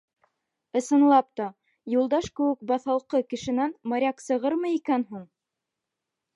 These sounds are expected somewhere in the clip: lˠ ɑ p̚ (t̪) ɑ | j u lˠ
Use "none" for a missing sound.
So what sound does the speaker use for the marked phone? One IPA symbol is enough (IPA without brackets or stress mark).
t̪